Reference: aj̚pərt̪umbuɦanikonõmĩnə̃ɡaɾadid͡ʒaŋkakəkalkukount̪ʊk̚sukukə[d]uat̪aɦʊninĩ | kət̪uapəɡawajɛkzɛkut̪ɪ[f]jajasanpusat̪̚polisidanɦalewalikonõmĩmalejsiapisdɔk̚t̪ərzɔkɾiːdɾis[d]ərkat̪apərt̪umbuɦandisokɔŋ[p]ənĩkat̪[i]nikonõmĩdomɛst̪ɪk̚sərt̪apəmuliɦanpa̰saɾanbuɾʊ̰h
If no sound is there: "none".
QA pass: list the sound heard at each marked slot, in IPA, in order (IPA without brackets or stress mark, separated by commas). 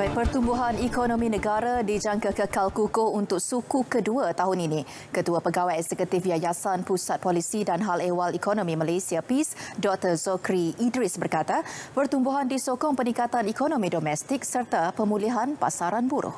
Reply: d, f, b, p, a